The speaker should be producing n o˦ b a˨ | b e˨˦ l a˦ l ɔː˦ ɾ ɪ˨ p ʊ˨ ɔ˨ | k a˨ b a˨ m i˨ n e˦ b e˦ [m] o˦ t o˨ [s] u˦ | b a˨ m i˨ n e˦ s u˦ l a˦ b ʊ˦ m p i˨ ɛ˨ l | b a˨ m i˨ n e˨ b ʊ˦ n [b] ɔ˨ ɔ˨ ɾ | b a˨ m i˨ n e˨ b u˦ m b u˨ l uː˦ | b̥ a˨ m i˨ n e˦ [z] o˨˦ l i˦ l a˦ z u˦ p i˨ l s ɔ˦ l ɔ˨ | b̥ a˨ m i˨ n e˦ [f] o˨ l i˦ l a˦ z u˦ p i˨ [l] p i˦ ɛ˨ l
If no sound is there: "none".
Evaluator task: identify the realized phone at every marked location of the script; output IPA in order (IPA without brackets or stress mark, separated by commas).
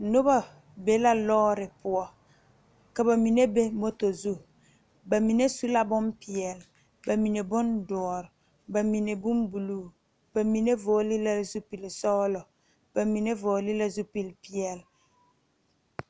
m, z, d, v, v, l